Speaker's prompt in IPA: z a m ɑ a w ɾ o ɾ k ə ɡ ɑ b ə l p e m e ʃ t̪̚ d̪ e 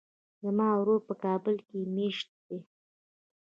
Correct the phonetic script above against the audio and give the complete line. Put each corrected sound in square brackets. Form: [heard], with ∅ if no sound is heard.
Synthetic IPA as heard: z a m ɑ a w ɾ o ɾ [p] ə [k] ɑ b ə l [k] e m e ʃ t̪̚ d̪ e

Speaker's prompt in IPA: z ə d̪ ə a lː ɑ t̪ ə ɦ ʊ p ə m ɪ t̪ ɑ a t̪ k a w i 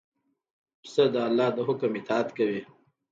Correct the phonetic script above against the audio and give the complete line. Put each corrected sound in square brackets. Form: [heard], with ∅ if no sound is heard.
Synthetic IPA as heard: [s] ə d̪ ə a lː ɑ [d̪] ə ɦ ʊ [k] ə m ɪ t̪ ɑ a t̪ k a w i

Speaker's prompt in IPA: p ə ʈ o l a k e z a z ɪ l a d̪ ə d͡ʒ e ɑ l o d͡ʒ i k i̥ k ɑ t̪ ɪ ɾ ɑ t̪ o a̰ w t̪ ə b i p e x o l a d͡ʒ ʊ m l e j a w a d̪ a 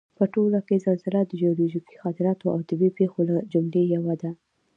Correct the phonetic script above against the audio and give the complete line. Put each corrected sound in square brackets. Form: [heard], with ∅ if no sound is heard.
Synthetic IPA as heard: p ə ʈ o l a k e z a z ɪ l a d̪ ə d͡ʒ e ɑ l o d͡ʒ i k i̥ [x] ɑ t̪ ɪ ɾ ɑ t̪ o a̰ w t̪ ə b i p e x o l a d͡ʒ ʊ m l e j a w a d̪ a

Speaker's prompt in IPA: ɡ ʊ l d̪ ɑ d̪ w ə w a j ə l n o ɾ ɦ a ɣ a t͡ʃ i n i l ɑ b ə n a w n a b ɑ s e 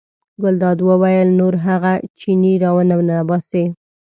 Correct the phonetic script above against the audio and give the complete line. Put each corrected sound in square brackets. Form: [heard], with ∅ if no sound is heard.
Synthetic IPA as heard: ɡ ʊ l d̪ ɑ d̪ w ə w a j ə l n o ɾ ɦ a ɣ a t͡ʃ i n i [ɾ] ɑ [w] ə n a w n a b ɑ s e

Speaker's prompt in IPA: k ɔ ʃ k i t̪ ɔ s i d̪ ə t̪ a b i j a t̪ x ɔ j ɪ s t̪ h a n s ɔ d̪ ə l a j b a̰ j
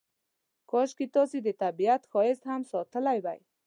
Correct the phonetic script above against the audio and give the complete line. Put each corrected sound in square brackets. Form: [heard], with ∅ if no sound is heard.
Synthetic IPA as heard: k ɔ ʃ k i t̪ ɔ s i d̪ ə t̪ a b i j a t̪ x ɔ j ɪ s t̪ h a [m] s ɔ [t̪] ə l a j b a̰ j

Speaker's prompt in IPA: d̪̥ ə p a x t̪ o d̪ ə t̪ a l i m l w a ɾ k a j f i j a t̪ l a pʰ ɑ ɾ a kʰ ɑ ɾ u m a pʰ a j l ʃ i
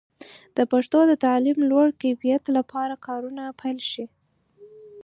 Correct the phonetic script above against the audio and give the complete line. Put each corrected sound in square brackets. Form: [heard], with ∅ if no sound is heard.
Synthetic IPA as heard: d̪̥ ə p a [ʂ] t̪ o d̪ ə t̪ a l i m l w a [ɽ] k a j f i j a t̪ l a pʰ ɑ ɾ a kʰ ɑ ɾ u [n] a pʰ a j l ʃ i

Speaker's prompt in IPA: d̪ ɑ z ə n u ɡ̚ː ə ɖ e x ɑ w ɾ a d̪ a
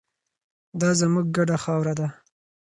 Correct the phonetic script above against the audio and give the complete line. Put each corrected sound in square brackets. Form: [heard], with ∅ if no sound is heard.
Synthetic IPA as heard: d̪ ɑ z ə [m] u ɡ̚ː [a] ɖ [a] x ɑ w ɾ a d̪ a

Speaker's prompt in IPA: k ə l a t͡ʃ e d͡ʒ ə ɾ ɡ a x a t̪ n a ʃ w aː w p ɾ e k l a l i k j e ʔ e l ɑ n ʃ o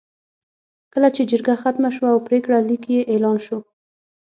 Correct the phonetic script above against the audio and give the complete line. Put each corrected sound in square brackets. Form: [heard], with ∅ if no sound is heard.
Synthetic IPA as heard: k ə l a t͡ʃ e d͡ʒ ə ɾ ɡ a x a t̪ [m] a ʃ w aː w p ɾ e k [ɽ] a l i k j e ʔ e l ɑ n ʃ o

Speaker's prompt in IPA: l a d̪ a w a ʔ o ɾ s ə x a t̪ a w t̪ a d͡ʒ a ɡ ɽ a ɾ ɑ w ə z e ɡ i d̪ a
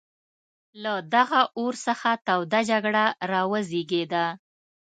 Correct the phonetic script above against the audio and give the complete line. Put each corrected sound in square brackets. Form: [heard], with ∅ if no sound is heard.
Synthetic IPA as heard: l a d̪ a [ɣ] a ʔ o ɾ s ə x a t̪ a w [d̪] a d͡ʒ a ɡ ɽ a ɾ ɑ w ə z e ɡ [e] d̪ a

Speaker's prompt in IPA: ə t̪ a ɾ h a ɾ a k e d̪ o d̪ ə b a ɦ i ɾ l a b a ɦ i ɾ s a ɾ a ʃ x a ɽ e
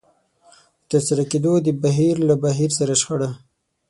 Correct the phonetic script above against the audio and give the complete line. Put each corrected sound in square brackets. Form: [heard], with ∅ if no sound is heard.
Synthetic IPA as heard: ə t̪ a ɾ [s] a ɾ a k e d̪ o d̪ ə b a ɦ i ɾ l a b a ɦ i ɾ s a ɾ a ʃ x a ɽ [a]

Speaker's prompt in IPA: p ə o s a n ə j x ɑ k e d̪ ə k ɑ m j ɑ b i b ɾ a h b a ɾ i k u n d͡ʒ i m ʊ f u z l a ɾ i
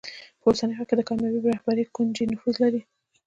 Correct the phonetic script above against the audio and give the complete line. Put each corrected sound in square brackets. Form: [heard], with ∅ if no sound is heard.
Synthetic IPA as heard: p ə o s a n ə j x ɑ k e d̪ ə k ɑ m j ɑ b i b ɾ a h b a ɾ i k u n d͡ʒ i [n] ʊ f u z l a ɾ i

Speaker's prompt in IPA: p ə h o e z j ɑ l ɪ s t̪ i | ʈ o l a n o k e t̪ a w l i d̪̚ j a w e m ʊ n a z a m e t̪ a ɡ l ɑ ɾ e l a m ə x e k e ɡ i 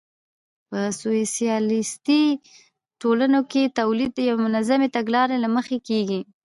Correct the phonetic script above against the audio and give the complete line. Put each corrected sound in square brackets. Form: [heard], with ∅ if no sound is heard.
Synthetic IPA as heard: p ə [s] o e [s] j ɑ l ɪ s t̪ i | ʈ o l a n o k e t̪ a w l i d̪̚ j a w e m ʊ n a z a m e t̪ a ɡ l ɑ ɾ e l a m ə x e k e ɡ i

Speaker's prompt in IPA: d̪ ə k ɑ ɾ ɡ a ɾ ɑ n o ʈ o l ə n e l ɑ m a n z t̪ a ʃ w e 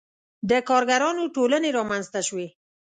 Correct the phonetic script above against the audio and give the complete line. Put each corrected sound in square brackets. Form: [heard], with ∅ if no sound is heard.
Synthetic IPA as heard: d̪ ə k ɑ ɾ ɡ a ɾ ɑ n o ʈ o l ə n e [ɾ] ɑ m a n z t̪ a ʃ w e

